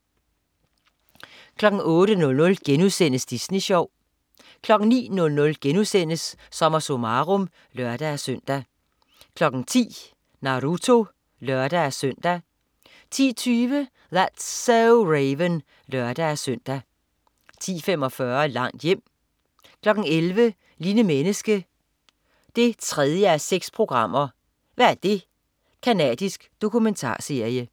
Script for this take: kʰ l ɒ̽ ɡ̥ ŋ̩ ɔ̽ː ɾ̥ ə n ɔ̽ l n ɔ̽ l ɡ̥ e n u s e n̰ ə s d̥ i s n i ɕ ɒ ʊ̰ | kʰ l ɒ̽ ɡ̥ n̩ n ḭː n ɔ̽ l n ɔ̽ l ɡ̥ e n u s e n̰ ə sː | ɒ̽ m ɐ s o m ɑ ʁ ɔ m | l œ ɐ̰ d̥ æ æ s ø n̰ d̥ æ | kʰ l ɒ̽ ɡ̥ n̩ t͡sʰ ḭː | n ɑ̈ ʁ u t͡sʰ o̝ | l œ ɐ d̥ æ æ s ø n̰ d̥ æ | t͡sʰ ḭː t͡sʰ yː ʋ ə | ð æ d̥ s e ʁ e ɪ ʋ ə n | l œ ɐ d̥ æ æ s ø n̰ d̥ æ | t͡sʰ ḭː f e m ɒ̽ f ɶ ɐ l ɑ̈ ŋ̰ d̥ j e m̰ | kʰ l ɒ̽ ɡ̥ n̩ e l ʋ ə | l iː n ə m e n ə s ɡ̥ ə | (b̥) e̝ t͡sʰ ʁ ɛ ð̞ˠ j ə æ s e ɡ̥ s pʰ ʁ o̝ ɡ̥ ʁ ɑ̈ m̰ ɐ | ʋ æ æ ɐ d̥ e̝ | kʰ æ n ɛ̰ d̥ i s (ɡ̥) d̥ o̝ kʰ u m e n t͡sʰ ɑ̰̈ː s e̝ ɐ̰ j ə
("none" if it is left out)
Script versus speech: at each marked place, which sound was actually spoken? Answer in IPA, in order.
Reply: d̥, ɡ̥

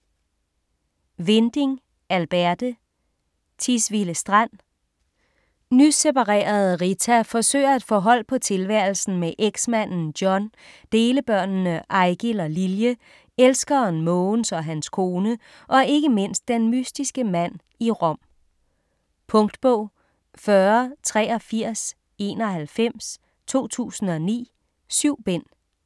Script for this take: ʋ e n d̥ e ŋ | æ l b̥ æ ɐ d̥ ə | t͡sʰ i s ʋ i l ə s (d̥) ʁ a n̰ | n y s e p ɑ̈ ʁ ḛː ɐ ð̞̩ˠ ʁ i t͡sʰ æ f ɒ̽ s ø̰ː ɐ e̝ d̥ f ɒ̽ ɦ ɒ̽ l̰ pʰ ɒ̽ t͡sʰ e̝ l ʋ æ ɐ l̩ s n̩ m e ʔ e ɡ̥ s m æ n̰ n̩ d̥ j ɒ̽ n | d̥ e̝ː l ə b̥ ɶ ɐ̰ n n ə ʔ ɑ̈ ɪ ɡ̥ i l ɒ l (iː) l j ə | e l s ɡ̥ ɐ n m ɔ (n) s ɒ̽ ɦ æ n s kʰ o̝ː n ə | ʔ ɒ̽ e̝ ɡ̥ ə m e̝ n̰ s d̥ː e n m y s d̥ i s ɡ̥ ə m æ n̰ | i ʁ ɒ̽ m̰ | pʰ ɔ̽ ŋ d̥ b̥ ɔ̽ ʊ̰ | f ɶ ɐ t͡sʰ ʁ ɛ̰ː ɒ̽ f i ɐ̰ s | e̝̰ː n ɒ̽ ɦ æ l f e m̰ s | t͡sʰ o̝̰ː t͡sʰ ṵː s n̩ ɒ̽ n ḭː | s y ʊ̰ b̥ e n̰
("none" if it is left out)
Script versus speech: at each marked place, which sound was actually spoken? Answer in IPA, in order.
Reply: d̥, i, n

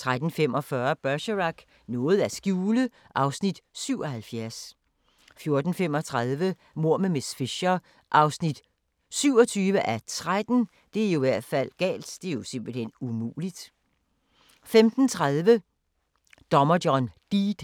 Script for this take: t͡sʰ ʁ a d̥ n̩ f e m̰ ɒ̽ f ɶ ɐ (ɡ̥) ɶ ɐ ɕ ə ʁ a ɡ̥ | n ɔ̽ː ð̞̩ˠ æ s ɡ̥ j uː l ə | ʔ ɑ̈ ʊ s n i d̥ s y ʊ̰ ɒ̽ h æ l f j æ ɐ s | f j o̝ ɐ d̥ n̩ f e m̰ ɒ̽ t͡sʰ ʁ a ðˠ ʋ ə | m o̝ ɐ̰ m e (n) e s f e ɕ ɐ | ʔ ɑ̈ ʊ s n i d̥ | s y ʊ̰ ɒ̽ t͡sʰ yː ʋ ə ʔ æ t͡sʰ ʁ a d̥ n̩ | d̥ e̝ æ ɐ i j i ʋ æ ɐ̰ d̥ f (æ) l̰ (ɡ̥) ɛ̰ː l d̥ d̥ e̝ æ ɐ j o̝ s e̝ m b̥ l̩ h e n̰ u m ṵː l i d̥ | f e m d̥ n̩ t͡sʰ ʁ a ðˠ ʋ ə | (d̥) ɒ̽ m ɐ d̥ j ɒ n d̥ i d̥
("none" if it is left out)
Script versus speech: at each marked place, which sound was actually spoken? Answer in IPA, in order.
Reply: b̥, m, æ, ɡ̥, d̥

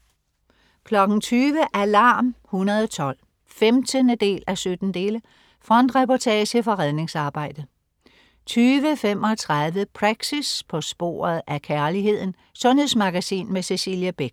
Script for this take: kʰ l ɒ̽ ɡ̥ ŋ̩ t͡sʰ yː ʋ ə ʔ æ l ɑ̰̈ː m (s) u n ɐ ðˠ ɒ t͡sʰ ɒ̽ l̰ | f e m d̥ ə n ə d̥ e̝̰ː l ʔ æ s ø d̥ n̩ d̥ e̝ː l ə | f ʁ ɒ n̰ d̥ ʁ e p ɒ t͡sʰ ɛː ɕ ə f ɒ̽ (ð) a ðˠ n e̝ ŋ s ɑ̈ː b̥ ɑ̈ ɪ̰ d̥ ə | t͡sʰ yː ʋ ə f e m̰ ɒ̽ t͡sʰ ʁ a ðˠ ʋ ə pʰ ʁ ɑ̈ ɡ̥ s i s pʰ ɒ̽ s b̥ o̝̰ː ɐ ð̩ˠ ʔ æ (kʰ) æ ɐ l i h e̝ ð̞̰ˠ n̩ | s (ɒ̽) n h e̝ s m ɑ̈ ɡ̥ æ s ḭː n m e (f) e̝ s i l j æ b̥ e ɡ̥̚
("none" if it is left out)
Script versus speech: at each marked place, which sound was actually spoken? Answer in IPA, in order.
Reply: h, ʁ, kʰ, ɔ̽, s

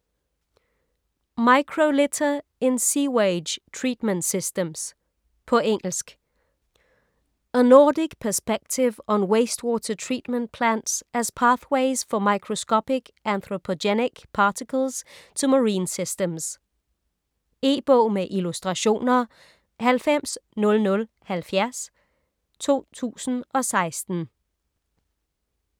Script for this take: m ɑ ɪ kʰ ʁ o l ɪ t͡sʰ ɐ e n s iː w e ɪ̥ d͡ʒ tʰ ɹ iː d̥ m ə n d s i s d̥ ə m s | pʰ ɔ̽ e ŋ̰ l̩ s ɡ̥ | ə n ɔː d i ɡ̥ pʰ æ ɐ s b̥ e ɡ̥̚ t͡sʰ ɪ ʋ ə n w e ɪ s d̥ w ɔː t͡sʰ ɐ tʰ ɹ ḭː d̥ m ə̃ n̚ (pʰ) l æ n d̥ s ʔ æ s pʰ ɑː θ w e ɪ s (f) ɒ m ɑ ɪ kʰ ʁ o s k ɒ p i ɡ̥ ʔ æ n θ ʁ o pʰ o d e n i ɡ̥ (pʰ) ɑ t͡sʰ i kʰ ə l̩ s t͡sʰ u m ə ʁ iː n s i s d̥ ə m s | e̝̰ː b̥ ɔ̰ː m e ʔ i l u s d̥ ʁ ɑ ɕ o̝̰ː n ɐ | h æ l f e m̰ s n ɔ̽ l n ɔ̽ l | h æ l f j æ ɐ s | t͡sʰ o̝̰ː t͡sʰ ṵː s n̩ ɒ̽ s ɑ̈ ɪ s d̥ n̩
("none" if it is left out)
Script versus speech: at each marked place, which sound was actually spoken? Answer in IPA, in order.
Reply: pʰ, f, pʰ

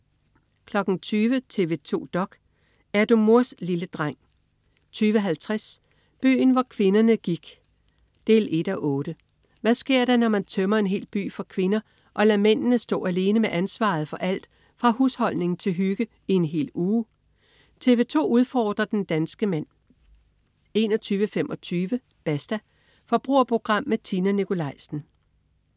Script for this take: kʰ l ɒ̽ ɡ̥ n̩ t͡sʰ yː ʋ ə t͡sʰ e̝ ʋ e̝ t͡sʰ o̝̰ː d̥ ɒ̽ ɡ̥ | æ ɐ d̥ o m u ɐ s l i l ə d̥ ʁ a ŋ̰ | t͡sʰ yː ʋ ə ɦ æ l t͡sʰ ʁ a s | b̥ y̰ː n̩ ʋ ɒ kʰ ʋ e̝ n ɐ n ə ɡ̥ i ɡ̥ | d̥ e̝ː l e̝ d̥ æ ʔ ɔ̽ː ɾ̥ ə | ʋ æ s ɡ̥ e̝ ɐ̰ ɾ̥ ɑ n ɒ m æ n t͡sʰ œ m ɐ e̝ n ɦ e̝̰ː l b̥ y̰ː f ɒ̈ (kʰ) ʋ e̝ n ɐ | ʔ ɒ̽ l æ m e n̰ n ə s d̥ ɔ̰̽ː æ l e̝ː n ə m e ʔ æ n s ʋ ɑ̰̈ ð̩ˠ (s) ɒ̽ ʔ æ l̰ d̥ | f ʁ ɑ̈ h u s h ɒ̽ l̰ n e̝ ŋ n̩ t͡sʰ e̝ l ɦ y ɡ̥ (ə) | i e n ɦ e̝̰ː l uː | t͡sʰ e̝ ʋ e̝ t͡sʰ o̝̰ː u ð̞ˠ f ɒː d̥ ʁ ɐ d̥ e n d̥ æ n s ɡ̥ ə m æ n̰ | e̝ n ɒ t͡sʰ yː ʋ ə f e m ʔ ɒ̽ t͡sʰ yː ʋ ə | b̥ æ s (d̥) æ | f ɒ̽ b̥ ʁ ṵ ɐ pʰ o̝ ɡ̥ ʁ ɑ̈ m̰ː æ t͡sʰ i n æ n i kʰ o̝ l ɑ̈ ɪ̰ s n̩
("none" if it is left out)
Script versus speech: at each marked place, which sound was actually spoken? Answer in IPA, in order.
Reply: kʰ, f, ə, d̥

